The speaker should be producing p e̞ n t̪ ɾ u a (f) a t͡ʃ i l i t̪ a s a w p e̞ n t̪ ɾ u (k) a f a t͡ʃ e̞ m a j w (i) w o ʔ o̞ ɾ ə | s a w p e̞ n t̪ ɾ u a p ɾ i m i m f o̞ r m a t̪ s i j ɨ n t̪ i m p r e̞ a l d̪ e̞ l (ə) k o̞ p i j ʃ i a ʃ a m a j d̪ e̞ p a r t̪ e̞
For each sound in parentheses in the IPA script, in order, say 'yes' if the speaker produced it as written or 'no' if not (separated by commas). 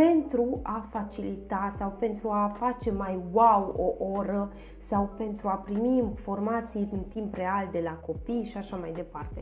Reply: yes, no, no, no